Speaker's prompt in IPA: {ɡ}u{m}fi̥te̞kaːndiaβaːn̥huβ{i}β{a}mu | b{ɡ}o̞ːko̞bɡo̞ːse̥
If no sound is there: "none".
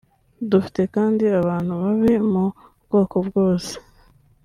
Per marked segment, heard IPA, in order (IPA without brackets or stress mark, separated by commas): d, none, a, i, ɡ